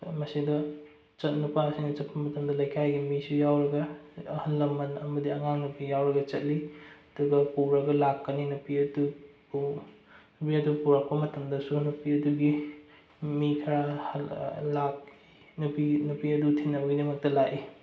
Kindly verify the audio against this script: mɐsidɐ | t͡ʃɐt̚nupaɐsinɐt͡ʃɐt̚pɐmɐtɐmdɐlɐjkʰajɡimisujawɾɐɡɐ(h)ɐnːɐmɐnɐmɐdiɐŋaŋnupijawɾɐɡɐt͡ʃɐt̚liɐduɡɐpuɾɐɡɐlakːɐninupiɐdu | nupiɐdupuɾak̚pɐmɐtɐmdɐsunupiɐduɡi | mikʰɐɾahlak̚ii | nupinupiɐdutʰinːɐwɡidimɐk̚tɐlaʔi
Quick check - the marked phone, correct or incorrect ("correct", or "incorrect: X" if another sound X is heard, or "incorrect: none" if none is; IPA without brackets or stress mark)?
correct